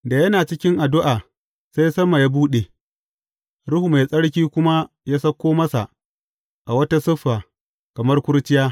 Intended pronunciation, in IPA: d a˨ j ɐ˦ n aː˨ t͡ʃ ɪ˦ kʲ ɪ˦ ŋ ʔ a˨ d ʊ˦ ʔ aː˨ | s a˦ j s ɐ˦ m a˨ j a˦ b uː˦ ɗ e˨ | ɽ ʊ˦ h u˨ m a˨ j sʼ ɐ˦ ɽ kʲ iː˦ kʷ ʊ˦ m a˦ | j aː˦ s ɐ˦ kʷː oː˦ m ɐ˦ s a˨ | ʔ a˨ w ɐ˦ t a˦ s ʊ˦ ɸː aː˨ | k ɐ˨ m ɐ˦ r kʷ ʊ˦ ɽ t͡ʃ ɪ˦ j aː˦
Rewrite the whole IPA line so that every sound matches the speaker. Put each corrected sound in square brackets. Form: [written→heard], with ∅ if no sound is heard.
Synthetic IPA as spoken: d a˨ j ɐ˦ n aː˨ t͡ʃ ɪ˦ kʲ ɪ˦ ŋ ʔ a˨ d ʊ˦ ʔ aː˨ | s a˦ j s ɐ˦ m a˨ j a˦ b uː˦ ɗ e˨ | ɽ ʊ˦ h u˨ m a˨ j sʼ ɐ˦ ɽ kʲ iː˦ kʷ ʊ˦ m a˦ | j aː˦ s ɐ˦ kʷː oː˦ m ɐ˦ s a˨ | ʔ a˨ w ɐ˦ t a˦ s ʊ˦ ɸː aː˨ | k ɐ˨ m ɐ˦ r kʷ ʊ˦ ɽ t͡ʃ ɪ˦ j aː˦